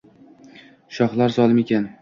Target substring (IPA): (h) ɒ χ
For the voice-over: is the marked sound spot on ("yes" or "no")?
no